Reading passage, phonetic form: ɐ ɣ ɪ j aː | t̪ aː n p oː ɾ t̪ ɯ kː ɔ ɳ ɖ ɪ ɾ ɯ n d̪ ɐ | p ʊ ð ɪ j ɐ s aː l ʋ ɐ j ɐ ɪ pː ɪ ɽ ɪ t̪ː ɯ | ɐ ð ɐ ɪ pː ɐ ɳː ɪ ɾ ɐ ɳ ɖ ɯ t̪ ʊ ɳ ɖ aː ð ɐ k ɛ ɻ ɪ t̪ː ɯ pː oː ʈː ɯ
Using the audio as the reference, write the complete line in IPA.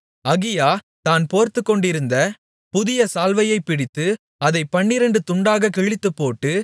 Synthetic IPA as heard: ɐ ɣ ɪ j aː | t̪ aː n p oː ɾ t̪ ɯ kː ɔ ɳ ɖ ɪ ɾ ɯ n d̪ ɐ | p ʊ ð ɪ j ɐ s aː l ʋ ɐ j ɐ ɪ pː ɪ ɽ ɪ t̪ː ɯ | ɐ ð ɐ ɪ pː ɐ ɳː ɪ ɾ ɐ ɳ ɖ ɯ t̪ ʊ ɳ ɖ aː ɣ ɐ k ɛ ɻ ɪ t̪ː ɯ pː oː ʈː ɯ